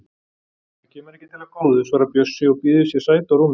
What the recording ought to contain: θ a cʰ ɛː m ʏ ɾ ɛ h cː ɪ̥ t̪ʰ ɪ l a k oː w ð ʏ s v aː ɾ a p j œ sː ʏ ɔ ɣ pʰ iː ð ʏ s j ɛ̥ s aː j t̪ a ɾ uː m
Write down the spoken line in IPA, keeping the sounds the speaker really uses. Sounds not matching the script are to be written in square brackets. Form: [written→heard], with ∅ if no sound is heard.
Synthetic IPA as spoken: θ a cʰ ɛː m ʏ ɾ ɛ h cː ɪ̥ t̪ʰ ɪ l a k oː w ð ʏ s v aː ɾ a p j œ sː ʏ ɔ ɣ [pʰ→p] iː ð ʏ s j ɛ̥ s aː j t̪ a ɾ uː m